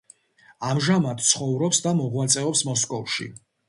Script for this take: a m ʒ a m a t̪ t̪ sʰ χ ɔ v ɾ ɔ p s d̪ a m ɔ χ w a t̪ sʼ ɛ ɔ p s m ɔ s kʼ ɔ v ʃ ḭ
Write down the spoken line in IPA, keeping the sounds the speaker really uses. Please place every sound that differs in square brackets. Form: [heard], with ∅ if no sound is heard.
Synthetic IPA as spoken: a m ʒ a m a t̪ t̪ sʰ χ ɔ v ɾ ɔ p s d̪ a m ɔ [ʁ] w a t̪ sʼ ɛ ɔ p s m ɔ s kʼ ɔ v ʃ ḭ